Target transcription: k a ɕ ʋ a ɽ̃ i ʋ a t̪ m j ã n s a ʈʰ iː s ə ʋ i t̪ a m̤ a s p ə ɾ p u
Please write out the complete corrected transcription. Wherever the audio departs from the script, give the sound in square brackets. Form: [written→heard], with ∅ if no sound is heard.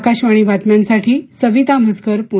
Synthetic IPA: k a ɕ ʋ a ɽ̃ i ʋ a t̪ m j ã n s a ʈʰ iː s ə ʋ i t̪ a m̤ [a→ə] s [p→k] ə ɾ p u